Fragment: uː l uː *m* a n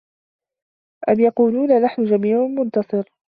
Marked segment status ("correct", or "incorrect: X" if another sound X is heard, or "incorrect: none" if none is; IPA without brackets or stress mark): incorrect: n